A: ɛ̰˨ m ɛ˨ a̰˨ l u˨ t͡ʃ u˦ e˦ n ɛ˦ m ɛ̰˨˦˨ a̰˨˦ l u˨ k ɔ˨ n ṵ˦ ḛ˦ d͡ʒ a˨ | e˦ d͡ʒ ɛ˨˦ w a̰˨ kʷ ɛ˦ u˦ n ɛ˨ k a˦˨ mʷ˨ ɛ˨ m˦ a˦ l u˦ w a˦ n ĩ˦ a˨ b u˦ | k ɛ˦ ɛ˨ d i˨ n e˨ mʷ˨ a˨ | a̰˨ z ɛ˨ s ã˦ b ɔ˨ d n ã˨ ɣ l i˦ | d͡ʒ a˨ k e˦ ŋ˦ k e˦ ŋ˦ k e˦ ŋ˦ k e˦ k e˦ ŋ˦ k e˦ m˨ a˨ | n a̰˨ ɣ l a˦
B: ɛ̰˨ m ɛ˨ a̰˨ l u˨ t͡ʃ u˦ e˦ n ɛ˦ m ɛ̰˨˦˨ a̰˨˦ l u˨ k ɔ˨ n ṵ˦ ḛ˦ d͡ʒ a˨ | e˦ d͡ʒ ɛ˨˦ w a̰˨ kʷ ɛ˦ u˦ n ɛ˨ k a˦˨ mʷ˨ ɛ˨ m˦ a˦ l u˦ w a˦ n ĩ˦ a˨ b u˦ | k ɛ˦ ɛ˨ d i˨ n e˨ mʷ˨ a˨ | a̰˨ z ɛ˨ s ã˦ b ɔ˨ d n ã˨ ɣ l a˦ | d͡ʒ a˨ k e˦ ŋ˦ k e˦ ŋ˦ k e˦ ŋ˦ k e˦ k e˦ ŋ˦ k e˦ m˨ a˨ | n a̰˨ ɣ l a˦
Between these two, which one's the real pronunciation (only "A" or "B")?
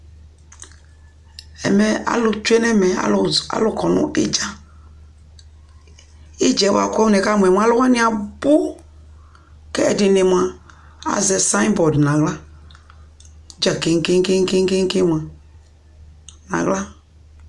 B